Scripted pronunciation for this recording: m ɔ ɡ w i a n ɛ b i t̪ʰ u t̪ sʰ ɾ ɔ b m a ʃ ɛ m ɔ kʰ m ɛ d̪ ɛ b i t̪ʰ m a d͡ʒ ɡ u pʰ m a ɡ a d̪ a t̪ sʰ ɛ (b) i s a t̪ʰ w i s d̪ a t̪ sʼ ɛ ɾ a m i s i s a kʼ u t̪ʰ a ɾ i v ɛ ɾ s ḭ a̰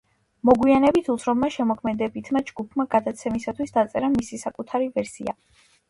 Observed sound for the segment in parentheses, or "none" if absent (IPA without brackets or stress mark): m